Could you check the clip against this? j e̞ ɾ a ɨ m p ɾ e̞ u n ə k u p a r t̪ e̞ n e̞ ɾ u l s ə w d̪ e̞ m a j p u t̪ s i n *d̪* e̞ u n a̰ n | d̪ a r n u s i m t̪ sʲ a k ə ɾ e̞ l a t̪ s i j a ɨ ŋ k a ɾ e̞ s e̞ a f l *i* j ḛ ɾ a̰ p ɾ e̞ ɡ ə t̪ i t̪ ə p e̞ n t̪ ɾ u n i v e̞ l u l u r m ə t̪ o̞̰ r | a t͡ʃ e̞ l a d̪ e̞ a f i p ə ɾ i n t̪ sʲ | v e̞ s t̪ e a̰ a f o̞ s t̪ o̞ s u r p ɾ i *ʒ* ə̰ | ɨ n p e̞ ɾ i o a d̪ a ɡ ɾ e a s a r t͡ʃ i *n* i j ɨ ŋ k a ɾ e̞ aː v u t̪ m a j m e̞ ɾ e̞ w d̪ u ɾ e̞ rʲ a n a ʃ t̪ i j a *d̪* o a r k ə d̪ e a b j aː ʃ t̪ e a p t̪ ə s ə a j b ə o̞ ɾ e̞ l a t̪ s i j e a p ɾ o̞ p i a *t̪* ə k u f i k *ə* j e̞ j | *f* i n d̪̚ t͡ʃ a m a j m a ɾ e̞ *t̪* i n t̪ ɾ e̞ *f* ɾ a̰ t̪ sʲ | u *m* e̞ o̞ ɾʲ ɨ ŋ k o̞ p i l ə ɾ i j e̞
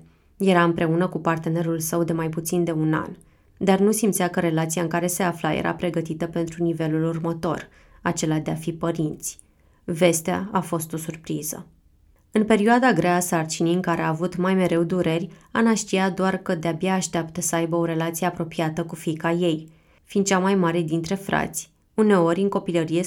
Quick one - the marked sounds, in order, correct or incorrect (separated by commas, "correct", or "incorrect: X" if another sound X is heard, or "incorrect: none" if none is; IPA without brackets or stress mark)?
correct, incorrect: a, incorrect: z, correct, correct, correct, incorrect: a, correct, incorrect: d̪, correct, incorrect: n